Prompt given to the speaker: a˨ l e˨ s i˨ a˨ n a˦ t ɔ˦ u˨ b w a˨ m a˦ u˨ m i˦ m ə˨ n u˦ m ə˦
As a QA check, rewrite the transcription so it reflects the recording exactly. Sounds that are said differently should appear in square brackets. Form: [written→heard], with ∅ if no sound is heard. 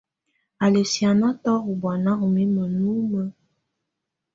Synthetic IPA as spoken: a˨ l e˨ s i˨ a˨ n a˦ t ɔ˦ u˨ b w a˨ [m→n] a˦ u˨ m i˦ m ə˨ n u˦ m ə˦